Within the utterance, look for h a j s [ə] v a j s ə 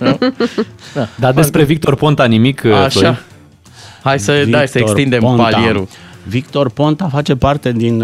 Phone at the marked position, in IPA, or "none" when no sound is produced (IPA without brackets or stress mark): ə